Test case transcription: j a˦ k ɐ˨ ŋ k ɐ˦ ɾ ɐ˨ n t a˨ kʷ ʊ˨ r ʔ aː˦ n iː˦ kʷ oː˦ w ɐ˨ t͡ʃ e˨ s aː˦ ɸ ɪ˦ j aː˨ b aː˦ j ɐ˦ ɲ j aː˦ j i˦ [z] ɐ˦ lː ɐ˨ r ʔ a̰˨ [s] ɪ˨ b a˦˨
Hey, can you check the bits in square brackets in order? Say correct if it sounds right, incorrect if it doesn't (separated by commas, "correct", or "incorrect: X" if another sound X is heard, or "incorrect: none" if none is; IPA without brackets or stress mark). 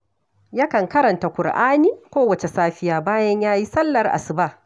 incorrect: s, correct